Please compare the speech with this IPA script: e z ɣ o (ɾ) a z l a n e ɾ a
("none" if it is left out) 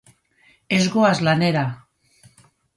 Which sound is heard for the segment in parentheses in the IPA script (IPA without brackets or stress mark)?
none